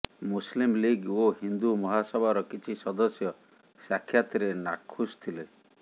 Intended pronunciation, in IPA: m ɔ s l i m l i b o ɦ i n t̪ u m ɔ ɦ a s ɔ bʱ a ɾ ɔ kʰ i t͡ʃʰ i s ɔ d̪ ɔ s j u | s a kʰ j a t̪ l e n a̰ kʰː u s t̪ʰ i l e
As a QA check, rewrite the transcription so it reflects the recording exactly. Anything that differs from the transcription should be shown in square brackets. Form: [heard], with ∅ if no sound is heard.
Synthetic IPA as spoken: m [u] s l i m l i [ɡ] o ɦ i n [d̪] u m ɔ ɦ a s ɔ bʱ a ɾ ɔ [k] i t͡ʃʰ i s ɔ d̪ ɔ s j [ɔ] | s a kʰ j a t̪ [ɾ] e n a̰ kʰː u s t̪ʰ i l e